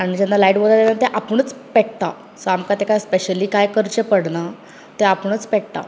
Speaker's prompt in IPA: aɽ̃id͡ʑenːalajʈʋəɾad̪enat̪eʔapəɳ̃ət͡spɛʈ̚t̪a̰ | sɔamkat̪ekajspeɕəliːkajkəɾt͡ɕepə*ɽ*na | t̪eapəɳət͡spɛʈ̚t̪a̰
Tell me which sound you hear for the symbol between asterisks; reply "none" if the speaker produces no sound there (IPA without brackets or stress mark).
ɽ